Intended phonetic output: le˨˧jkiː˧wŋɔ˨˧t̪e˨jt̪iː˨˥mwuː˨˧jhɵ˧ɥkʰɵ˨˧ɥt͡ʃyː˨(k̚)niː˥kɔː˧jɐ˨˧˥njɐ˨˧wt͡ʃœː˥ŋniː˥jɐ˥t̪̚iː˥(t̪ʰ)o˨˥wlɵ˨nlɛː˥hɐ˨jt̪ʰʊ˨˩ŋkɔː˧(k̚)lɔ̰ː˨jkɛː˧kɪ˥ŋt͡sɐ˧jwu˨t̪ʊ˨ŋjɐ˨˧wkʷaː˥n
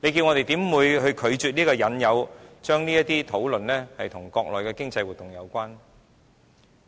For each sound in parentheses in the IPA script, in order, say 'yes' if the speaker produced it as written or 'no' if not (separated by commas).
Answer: no, yes, yes